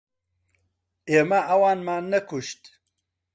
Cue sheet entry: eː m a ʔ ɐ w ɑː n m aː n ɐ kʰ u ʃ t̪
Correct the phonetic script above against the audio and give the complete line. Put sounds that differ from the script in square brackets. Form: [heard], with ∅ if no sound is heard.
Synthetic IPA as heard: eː m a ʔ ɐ w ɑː n m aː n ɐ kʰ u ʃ t̪